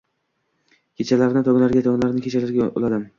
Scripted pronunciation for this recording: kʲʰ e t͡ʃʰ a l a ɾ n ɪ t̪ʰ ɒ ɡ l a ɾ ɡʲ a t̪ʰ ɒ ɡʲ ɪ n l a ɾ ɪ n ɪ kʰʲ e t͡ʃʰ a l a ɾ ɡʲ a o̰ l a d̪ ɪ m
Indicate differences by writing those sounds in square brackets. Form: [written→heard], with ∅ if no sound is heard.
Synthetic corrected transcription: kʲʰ e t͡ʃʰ a l a ɾ n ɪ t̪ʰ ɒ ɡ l a ɾ ɡʲ a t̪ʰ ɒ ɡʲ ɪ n l a ɾ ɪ n ɪ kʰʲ e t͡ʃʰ a l a ɾ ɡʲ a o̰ l a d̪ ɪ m